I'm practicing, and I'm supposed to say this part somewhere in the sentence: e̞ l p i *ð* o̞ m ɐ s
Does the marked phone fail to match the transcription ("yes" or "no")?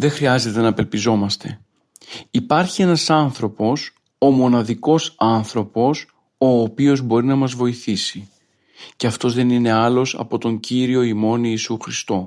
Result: yes